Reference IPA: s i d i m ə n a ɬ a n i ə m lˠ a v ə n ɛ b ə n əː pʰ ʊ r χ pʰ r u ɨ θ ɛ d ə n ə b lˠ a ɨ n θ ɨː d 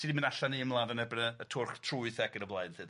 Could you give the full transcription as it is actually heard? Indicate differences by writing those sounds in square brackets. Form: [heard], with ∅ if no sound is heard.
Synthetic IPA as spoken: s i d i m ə n a ɬ a n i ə m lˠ a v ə n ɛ b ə n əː [tʰ] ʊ r χ [tʰ] r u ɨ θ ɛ [ɡ] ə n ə [v] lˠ a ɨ n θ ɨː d